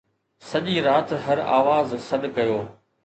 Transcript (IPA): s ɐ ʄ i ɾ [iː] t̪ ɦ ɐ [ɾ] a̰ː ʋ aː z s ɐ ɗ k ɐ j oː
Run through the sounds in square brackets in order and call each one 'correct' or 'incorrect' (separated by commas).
incorrect, correct